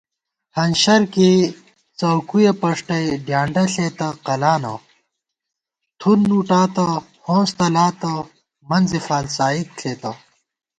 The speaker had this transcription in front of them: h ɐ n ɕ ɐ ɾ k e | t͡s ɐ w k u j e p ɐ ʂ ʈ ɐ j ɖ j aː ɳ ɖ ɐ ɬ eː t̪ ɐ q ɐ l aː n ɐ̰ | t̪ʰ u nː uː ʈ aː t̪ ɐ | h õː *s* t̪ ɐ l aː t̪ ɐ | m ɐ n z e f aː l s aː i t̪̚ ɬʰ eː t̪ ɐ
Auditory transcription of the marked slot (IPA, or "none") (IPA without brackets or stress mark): s